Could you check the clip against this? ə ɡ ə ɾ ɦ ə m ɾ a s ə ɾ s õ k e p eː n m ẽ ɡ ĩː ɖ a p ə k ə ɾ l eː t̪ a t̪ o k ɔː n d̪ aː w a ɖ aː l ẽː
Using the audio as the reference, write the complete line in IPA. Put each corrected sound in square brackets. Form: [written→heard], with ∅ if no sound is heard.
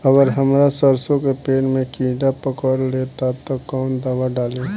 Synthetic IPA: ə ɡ ə ɾ ɦ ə m ɾ a s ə ɾ s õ k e p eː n m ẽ [ɡ→k] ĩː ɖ a p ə k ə ɾ l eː t̪ a t̪ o k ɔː n d̪ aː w a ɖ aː l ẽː